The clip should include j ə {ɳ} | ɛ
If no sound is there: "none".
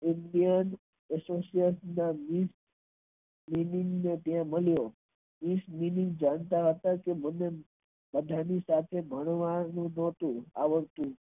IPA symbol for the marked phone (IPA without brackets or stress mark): n